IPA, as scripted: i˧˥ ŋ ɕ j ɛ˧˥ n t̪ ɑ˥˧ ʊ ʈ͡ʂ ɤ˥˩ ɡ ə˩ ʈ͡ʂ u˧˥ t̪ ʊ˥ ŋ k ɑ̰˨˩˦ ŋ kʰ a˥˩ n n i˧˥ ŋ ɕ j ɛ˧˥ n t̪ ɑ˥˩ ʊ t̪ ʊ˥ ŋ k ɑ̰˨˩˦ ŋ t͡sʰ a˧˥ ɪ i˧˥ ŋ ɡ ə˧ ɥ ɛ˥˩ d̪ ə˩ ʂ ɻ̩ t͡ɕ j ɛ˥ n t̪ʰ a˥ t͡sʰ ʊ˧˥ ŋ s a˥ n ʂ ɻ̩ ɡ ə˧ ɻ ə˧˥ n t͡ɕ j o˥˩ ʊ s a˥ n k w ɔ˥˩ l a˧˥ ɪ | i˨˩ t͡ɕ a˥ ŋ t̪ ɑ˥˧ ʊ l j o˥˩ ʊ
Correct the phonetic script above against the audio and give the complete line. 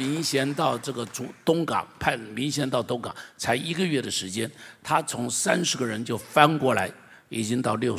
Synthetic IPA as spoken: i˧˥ ŋ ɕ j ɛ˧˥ n t̪ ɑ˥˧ ʊ ʈ͡ʂ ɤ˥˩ ɡ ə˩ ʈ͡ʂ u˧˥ t̪ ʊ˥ ŋ k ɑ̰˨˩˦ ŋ pʰ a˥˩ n m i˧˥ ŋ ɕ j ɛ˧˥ n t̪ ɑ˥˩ ʊ t̪ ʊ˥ ŋ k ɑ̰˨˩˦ ŋ t͡sʰ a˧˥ ɪ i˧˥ ɡ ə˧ ɥ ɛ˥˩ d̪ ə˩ ʂ ɻ̩ t͡ɕ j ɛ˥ n t̪ʰ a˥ t͡sʰ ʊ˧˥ ŋ s a˥ n ʂ ɻ̩ ɡ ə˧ ɻ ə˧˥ n t͡ɕ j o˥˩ ʊ f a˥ n k w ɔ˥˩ l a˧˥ ɪ | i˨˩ t͡ɕ i˥ ŋ t̪ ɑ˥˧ ʊ l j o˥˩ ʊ